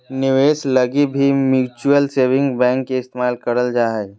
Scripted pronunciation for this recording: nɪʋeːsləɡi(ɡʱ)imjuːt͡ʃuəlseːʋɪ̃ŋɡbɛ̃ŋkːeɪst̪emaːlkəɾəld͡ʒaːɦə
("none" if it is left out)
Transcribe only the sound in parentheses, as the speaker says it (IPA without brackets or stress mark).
bʱ